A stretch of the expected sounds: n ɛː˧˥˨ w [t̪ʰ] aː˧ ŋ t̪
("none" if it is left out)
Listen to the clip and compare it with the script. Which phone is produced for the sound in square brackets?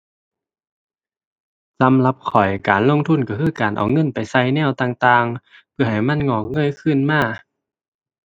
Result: t̪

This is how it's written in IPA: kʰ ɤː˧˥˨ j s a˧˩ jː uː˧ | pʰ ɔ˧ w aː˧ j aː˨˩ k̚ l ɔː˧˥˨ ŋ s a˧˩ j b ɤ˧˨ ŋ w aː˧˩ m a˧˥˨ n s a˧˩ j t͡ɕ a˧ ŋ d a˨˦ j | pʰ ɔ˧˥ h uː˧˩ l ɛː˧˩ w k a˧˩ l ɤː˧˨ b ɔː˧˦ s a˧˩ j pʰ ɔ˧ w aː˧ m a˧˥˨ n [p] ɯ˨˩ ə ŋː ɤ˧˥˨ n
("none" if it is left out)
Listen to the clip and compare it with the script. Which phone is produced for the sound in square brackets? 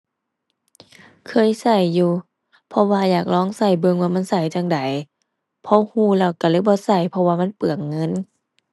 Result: p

